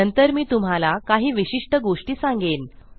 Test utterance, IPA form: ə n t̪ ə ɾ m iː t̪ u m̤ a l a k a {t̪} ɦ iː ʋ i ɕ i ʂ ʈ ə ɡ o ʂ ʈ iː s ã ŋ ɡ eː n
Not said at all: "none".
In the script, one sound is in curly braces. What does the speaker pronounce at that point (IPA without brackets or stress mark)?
none